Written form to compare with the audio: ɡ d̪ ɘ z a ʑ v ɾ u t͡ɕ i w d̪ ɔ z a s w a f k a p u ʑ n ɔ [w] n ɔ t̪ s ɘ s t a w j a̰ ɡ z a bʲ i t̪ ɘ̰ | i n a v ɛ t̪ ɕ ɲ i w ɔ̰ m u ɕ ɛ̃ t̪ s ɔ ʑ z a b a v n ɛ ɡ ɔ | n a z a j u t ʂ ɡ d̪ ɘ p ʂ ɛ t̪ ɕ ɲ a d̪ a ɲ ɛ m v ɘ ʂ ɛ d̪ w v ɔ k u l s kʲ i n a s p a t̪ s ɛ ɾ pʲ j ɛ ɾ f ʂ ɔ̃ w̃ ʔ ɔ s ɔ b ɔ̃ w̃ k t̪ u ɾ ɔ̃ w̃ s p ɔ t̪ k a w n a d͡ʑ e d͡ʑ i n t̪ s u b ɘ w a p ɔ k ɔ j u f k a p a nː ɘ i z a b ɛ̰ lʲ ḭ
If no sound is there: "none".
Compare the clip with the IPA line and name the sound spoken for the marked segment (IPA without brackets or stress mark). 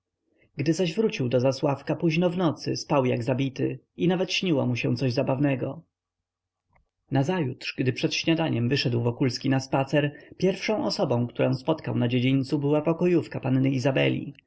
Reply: v